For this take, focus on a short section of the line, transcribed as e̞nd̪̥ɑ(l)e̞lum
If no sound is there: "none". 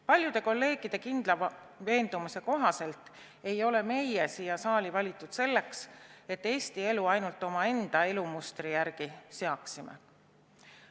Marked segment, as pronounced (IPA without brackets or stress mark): none